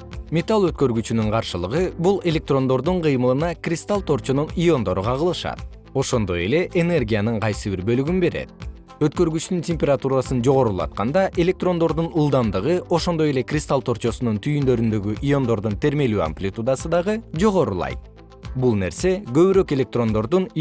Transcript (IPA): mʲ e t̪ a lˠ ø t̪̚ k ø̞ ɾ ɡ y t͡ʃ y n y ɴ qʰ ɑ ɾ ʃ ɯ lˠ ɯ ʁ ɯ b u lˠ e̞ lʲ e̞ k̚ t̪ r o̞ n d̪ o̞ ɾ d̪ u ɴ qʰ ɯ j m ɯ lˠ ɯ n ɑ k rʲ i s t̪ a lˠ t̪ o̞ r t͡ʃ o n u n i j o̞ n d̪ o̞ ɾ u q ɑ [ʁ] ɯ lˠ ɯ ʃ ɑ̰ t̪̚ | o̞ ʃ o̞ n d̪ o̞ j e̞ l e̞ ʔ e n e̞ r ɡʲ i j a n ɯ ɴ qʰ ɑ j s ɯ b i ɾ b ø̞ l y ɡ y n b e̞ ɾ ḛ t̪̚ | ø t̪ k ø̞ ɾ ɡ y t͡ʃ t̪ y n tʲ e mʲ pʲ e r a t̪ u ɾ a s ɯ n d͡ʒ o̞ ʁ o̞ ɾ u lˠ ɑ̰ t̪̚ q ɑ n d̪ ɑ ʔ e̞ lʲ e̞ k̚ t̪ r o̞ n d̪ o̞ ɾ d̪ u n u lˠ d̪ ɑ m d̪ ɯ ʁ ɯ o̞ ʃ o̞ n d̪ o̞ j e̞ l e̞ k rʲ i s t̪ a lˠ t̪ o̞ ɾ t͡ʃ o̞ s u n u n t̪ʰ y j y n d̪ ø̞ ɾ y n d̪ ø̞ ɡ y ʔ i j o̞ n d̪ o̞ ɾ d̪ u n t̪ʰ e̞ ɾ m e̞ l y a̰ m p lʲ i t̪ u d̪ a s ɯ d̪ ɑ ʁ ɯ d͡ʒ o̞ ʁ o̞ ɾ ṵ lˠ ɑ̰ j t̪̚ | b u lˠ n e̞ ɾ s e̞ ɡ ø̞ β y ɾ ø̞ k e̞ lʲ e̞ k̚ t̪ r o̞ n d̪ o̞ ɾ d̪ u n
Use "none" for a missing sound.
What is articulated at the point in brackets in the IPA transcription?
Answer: ʁ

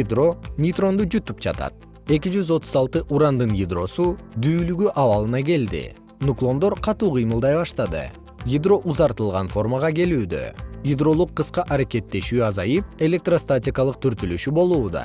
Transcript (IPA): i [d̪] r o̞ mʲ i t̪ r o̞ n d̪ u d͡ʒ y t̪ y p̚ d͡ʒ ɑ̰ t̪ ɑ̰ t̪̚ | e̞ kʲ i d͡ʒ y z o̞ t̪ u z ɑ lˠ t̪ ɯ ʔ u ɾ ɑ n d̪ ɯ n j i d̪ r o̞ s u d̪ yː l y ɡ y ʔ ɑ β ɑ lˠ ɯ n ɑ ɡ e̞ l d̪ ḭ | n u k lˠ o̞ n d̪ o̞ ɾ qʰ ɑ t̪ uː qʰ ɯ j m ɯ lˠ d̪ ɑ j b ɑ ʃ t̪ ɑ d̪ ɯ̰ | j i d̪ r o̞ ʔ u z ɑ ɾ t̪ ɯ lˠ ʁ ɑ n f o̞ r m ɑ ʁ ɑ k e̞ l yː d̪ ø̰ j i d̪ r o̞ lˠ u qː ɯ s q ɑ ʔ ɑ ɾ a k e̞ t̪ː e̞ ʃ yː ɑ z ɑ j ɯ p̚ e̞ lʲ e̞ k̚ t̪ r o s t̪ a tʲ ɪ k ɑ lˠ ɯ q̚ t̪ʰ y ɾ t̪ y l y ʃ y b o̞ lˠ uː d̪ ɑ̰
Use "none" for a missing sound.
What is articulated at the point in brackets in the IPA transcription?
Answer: d̪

